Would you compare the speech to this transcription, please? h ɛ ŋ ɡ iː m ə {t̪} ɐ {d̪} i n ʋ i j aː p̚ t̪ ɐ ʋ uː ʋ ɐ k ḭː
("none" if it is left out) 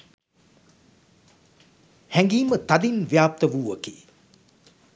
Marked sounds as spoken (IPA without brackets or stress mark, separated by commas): t̪, d̪